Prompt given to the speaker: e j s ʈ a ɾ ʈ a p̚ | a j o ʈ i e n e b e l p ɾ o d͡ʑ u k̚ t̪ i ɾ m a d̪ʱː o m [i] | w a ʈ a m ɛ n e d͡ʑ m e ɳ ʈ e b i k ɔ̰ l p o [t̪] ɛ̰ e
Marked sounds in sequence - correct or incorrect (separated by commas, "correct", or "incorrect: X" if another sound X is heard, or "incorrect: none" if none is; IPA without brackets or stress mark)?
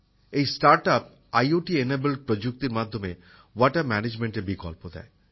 incorrect: e, incorrect: d̪